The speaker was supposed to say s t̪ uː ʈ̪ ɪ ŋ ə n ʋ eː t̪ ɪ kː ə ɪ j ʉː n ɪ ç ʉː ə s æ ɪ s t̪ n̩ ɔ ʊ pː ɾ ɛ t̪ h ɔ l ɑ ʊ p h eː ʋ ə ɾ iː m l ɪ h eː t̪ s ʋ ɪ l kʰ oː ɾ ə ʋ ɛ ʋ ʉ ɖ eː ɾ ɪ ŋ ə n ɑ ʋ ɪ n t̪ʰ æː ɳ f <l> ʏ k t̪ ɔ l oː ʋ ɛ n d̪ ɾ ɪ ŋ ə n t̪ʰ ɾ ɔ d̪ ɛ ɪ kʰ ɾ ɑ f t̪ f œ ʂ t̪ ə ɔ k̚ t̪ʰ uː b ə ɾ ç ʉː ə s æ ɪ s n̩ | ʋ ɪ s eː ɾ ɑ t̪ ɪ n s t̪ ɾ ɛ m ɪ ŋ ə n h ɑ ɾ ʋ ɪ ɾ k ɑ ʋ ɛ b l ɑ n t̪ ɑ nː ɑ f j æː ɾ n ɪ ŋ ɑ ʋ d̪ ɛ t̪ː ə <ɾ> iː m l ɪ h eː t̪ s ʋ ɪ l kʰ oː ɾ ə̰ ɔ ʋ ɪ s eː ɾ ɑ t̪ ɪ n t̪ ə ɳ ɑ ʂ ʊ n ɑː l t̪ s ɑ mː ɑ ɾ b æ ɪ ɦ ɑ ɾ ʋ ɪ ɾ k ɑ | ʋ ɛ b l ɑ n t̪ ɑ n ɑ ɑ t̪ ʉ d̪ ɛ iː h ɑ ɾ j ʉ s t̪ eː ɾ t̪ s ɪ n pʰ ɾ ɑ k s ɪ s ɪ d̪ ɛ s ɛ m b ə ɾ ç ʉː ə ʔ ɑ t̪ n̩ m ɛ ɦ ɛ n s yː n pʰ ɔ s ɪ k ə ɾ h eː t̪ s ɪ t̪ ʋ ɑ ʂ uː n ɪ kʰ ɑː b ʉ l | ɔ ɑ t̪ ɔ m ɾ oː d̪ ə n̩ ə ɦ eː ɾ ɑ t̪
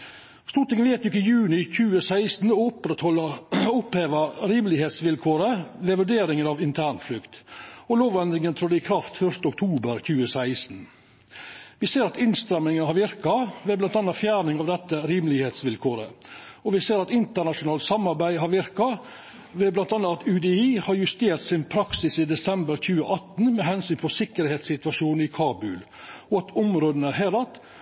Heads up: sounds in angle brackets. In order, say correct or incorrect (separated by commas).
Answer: correct, correct